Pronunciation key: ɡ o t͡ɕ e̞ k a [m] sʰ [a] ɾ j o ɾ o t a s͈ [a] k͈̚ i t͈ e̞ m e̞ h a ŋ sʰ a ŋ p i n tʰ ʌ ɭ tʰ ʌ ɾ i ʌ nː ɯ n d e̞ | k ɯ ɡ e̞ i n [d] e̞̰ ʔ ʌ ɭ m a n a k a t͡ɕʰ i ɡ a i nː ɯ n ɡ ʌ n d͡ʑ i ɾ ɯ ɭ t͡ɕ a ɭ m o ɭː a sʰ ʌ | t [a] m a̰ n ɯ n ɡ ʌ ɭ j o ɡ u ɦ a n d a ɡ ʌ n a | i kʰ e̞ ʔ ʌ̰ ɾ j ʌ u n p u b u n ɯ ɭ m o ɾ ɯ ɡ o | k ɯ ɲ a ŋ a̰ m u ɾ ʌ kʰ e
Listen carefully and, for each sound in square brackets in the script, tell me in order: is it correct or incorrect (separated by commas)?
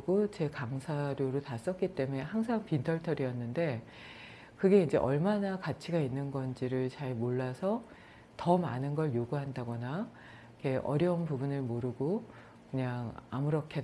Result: incorrect, correct, incorrect, incorrect, incorrect